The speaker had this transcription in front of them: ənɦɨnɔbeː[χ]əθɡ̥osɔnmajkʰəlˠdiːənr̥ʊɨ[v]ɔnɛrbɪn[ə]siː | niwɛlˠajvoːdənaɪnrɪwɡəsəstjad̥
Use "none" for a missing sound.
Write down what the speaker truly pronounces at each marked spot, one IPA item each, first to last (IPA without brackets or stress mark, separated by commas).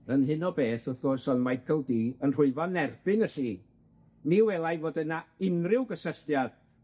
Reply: θ, v, ə